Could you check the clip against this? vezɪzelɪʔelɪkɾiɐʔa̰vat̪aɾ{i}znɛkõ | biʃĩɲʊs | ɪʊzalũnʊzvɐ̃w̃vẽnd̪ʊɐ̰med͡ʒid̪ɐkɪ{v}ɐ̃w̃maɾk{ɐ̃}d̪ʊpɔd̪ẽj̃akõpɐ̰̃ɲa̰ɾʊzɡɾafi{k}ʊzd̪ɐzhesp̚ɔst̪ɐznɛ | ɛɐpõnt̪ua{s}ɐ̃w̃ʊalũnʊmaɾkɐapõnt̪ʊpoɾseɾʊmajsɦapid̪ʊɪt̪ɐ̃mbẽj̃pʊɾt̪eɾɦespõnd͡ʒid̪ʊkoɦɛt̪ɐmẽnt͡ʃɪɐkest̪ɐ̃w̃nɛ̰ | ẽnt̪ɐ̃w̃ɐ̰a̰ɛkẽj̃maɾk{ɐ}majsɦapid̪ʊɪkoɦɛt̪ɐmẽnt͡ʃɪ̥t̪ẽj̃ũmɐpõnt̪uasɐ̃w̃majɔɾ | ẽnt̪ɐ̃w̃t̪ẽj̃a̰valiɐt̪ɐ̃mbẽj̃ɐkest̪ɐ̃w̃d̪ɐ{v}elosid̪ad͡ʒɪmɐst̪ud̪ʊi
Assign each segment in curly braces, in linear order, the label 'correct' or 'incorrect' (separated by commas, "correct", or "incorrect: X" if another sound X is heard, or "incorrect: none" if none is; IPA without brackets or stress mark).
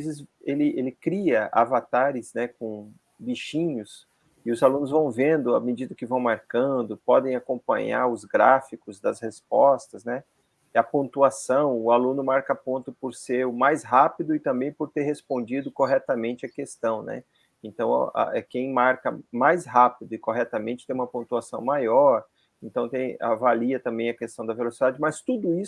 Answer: incorrect: ɪ, correct, correct, correct, correct, correct, correct